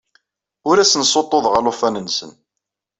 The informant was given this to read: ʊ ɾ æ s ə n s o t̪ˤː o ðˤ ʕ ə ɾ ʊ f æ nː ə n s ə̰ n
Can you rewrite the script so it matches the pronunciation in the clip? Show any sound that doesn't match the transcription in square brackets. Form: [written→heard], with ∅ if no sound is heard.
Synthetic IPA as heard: ʊ ɾ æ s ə n s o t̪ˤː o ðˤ [ʕ→ʁ] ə [ɾ→l] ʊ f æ [nː→n] ə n s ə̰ n